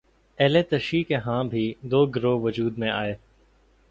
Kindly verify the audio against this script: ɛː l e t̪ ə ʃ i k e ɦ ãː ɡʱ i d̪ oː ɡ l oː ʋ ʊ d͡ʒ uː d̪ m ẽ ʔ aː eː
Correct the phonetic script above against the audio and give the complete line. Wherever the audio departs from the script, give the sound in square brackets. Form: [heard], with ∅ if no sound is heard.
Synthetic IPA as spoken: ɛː l e t̪ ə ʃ i k e ɦ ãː [bʱ] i d̪ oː ɡ [ɾ] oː ʋ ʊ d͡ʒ uː d̪ m ẽ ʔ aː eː